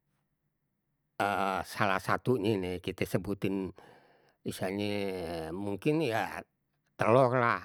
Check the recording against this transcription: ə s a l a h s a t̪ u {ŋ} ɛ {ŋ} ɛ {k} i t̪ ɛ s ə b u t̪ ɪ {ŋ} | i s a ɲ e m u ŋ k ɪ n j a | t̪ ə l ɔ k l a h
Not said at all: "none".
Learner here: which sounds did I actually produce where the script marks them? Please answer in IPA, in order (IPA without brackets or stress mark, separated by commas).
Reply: ɲ, n, k, n